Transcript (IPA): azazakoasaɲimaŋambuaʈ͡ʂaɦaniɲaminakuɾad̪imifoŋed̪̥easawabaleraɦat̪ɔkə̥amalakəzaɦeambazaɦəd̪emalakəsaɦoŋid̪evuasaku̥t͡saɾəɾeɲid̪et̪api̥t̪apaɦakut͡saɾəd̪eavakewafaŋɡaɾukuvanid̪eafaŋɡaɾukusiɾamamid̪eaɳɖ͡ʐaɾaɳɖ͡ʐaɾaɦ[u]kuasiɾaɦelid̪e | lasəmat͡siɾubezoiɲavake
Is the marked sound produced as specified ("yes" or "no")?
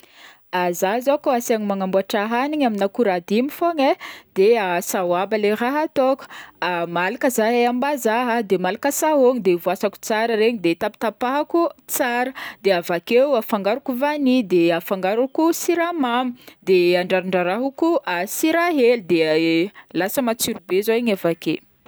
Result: yes